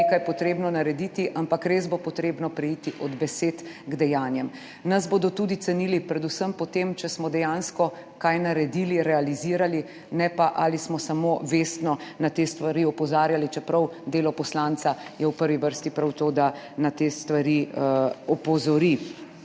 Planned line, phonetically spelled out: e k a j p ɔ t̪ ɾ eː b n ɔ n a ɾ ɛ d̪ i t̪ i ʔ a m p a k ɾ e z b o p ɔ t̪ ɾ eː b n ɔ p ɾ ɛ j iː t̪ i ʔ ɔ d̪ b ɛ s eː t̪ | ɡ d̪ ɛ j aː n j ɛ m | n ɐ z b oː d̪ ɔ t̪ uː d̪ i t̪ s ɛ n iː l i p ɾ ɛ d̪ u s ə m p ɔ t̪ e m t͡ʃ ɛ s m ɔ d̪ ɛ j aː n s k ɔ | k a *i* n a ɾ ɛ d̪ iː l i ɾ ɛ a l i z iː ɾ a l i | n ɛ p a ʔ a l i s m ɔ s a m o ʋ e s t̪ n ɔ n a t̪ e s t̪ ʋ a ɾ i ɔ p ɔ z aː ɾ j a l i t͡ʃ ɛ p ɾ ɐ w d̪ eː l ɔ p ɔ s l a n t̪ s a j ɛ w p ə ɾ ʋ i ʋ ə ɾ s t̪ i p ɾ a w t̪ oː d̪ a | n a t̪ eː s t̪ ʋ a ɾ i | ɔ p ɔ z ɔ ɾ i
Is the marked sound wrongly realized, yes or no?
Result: yes